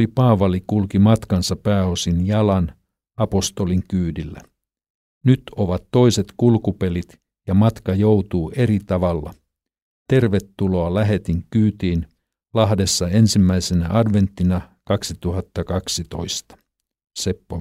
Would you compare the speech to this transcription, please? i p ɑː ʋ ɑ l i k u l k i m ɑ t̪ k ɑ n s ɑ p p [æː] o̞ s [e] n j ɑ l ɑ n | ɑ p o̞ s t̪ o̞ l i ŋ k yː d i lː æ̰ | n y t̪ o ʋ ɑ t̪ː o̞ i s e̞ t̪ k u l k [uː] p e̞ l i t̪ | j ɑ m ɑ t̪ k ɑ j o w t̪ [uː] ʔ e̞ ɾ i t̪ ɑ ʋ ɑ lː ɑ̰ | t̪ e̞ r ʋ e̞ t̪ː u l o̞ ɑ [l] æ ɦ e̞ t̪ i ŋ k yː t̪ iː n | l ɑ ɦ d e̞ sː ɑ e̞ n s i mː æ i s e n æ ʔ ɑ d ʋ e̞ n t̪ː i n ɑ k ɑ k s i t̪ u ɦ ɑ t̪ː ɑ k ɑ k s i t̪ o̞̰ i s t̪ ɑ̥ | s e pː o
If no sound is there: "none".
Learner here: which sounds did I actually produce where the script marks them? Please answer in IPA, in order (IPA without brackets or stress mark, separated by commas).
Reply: æː, i, u, uː, l